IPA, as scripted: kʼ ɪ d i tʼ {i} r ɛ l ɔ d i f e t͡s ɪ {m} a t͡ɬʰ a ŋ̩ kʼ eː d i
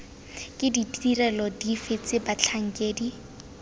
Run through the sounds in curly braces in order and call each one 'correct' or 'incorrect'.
correct, incorrect: b

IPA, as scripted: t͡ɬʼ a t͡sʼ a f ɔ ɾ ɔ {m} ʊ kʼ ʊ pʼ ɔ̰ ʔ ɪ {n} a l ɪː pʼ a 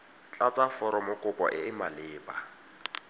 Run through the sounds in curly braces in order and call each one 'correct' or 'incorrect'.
correct, incorrect: m

